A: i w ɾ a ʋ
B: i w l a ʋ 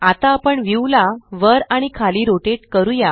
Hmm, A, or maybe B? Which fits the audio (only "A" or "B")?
B